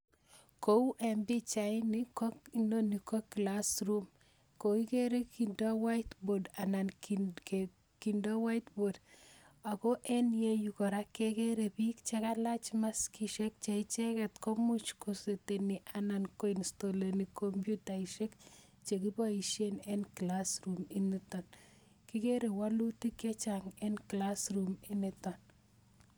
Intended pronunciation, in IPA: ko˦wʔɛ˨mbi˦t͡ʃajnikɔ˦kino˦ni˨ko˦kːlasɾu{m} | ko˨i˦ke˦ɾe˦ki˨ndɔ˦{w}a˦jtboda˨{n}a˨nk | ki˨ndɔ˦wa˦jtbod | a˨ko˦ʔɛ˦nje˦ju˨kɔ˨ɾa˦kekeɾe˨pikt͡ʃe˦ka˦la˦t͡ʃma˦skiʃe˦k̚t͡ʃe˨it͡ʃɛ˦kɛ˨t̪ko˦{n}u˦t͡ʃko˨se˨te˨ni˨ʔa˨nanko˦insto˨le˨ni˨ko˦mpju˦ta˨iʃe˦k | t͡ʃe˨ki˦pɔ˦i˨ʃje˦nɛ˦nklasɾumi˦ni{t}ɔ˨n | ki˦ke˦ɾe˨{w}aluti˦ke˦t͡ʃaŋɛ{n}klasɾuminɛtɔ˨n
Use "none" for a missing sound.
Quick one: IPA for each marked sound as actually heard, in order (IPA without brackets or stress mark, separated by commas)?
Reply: m, w, n, m, t, w, n